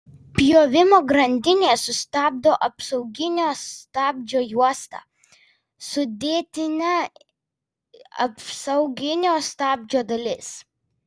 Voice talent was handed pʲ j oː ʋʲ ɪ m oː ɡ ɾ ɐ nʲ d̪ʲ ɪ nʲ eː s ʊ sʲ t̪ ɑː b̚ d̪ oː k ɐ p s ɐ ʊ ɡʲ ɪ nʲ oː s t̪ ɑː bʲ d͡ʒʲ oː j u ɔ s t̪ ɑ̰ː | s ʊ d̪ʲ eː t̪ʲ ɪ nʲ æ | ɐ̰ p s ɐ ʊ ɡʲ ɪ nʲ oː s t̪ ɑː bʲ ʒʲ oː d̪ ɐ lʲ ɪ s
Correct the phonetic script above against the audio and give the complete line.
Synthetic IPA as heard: pʲ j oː ʋʲ ɪ m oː ɡ ɾ ɐ nʲ d̪ʲ ɪ nʲ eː s ʊ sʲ t̪ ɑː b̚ d̪ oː ʔ ɐ p s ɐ ʊ ɡʲ ɪ nʲ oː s t̪ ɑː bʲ d͡ʒʲ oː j u ɔ s t̪ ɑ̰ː | s ʊ d̪ʲ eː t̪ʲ ɪ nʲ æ | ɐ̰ p s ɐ ʊ ɡʲ ɪ nʲ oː s t̪ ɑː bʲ d͡ʒʲ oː d̪ ɐ lʲ ɪ s